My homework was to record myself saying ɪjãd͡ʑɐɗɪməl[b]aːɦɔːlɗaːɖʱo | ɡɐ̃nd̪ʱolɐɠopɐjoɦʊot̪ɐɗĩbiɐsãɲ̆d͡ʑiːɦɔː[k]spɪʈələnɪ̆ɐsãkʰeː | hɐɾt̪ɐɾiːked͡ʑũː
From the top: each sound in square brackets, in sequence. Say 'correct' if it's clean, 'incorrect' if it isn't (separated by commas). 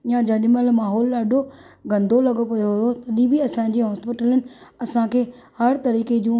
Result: incorrect, incorrect